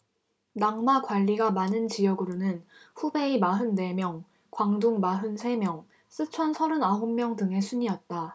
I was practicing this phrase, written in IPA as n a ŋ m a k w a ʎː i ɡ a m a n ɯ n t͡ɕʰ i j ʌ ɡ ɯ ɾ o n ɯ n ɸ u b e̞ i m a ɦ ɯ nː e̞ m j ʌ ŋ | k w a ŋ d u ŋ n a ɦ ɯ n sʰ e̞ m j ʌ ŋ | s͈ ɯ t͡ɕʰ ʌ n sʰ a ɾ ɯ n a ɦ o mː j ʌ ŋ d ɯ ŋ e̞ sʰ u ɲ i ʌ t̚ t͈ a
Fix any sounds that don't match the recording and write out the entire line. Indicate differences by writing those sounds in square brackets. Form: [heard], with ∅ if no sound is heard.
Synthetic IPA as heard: n a ŋ m a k w a ʎː i ɡ a m a n ɯ n [t͡ɕ] i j ʌ ɡ ɯ ɾ o n ɯ n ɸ u b e̞ i m a ɦ ɯ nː e̞ m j ʌ ŋ | k w a ŋ d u ŋ [m] a ɦ ɯ n sʰ e̞ m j ʌ ŋ | s͈ ɯ t͡ɕʰ ʌ n sʰ [ʌ] ɾ ɯ n a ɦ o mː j ʌ ŋ d ɯ ŋ e̞ sʰ u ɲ i ʌ t̚ t͈ a

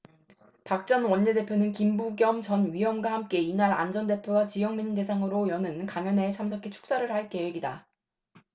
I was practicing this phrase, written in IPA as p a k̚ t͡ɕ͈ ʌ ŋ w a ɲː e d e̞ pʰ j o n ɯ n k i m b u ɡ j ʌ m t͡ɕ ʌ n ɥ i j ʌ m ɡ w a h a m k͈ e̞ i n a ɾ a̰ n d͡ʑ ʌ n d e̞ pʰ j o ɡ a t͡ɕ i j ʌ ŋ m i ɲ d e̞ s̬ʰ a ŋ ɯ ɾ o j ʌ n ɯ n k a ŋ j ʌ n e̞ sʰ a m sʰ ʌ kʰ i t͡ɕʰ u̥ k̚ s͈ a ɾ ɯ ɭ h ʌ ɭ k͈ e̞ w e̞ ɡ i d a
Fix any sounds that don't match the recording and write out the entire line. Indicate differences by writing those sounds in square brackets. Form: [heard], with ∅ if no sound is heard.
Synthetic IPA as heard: p a k̚ t͡ɕ͈ ʌ [n] w [ʌ] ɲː e d e̞ pʰ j o n ɯ n k i m b u ɡ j ʌ m t͡ɕ ʌ n ɥ i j ʌ m ɡ w a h a m k͈ e̞ i n a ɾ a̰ n d͡ʑ ʌ n d e̞ pʰ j o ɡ a t͡ɕ i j ʌ ŋ m i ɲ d e̞ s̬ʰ a ŋ ɯ ɾ o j ʌ n ɯ n k a ŋ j ʌ n e̞ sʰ a m sʰ ʌ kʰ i t͡ɕʰ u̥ k̚ s͈ a ɾ ɯ ɭ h [a] ɭ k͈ e̞ w e̞ ɡ i d a

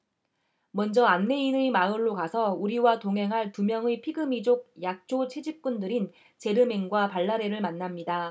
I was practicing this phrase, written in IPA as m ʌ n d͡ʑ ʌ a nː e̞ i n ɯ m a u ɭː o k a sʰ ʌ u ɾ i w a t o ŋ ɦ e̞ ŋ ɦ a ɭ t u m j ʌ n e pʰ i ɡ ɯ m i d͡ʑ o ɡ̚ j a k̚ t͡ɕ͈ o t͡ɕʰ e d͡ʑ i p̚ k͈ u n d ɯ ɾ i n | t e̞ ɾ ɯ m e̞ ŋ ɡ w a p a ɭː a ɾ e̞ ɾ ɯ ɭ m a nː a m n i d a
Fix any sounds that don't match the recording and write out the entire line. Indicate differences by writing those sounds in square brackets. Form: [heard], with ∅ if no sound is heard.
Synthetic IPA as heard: m ʌ n d͡ʑ ʌ a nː e̞ i n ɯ m a [ɯ] ɭː o k a sʰ ʌ u ɾ i w a t o ŋ ɦ e̞ ŋ ɦ a ɭ t u m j ʌ [ŋ] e pʰ i ɡ ɯ m i d͡ʑ o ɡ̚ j a k̚ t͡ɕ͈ o t͡ɕʰ e d͡ʑ i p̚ k͈ u n d ɯ ɾ i n | [t͡ɕ] e̞ ɾ ɯ m e̞ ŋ ɡ w a p a ɭː a ɾ e̞ ɾ ɯ ɭ m a nː a m [ɲ] i d a

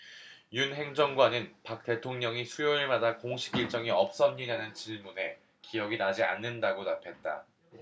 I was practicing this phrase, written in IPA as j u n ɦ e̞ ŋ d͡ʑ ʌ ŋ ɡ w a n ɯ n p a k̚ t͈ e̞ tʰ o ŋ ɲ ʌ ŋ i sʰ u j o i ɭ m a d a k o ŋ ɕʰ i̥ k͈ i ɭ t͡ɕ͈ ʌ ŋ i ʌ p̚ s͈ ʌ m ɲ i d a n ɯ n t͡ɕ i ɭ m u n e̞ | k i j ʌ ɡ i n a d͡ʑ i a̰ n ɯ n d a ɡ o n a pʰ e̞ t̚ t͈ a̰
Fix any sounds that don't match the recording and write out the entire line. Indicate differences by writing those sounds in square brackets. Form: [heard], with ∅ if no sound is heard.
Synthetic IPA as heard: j u n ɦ e̞ ŋ d͡ʑ ʌ ŋ ɡ w a n ɯ n p a k̚ t͈ e̞ tʰ o ŋ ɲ ʌ ŋ i sʰ u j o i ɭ m a d a k o ŋ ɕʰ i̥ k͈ i ɭ t͡ɕ͈ ʌ ŋ i ʌ p̚ s͈ ʌ m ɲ i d a n ɯ n t͡ɕ i ɭ m u n e̞ | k i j ʌ ɡ i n a d͡ʑ i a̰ [nː] ɯ n d a ɡ o n a pʰ e̞ t̚ t͈ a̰

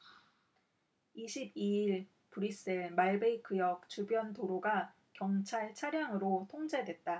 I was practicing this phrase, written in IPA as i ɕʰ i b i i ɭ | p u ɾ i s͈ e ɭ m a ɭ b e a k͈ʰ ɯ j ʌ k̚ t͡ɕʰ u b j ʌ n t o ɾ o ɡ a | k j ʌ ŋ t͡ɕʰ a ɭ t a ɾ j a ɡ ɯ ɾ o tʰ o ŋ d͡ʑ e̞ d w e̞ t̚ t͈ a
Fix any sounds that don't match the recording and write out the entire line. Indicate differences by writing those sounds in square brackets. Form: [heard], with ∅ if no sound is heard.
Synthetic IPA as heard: i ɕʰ i b i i ɭ | p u ɾ i s͈ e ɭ m a ɭ b e [i] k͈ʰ ɯ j ʌ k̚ [t͡ɕ] u b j ʌ n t o ɾ o ɡ a | k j ʌ ŋ t͡ɕʰ a ɭ [t͡ɕʰ] a ɾ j a [ŋ] ɯ ɾ o tʰ o ŋ d͡ʑ e̞ d w e̞ t̚ t͈ a

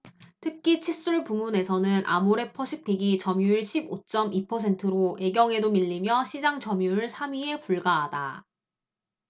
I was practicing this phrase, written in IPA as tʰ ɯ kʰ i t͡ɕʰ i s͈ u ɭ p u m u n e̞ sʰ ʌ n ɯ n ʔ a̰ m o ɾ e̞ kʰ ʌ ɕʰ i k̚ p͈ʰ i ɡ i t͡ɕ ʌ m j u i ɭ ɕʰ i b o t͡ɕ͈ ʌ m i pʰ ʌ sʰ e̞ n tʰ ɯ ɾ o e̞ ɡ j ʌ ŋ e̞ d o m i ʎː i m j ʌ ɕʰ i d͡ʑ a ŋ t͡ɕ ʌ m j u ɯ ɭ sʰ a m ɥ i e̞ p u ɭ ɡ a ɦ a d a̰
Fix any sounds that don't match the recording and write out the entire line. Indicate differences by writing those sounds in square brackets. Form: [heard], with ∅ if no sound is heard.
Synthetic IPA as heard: tʰ ɯ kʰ i t͡ɕʰ i s͈ u ɭ p u m u n e̞ sʰ ʌ n ɯ n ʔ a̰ m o ɾ e̞ [pʰ] ʌ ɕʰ i k̚ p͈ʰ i ɡ i t͡ɕ ʌ m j u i ɭ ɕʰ i b o t͡ɕ͈ ʌ m i pʰ ʌ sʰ e̞ n tʰ ɯ ɾ o e̞ ɡ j ʌ ŋ e̞ d o m i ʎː i m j ʌ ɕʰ i d͡ʑ a ŋ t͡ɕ ʌ m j u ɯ ɭ sʰ a m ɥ i e̞ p u ɭ ɡ a ɦ a d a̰

